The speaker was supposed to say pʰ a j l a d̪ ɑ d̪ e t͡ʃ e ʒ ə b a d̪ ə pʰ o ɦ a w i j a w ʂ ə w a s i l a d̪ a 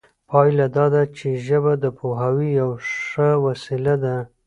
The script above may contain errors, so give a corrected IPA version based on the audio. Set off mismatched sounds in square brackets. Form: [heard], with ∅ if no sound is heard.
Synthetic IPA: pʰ [ɑ] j l a d̪ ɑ d̪ [a] t͡ʃ e ʒ ə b a d̪ ə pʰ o ɦ a w i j a w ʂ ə w a s i l a d̪ a